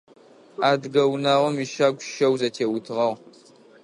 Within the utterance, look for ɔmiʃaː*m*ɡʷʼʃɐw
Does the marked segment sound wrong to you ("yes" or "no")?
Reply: yes